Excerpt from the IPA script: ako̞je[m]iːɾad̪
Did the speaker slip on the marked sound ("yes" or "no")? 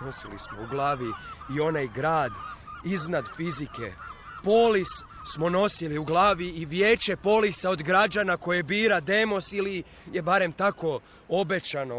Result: yes